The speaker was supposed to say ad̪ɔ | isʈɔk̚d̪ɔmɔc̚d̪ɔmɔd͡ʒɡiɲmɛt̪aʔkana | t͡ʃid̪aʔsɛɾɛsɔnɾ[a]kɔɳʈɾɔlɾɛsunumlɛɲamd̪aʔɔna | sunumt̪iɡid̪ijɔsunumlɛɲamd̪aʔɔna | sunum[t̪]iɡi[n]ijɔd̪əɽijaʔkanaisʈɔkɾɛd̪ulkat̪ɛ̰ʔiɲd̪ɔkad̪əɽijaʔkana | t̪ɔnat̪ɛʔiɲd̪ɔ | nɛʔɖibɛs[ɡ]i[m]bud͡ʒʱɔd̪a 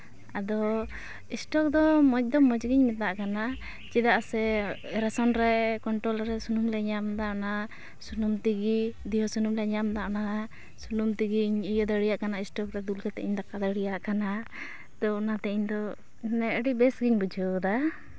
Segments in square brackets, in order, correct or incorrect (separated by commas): incorrect, correct, incorrect, correct, incorrect